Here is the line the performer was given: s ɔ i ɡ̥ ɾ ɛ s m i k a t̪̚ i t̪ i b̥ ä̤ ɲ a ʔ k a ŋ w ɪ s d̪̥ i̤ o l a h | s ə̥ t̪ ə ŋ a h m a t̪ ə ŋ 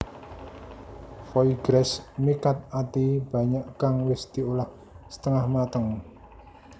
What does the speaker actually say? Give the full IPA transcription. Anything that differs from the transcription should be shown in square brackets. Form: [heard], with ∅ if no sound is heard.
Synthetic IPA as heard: [f] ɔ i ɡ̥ ɾ ɛ s m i k a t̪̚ [a] t̪ i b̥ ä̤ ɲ a ʔ k a ŋ w ɪ s d̪̥ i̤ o l a h | s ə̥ t̪ ə ŋ a h m a t̪ ə ŋ